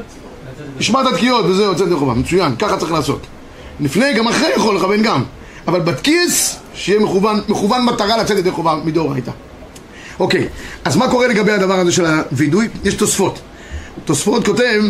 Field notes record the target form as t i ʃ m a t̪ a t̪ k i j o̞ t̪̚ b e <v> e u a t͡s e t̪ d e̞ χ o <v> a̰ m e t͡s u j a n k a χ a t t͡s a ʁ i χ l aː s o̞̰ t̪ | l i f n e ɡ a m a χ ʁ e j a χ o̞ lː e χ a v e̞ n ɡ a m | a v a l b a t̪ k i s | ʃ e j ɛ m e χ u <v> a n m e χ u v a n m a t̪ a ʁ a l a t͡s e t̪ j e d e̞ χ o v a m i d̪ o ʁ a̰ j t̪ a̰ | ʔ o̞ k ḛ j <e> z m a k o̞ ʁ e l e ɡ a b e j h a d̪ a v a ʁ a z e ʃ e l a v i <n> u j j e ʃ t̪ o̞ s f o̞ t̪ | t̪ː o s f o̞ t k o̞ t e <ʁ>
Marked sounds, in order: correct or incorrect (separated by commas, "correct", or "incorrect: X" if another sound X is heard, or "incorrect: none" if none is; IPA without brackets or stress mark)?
incorrect: z, correct, correct, incorrect: a, incorrect: d, incorrect: v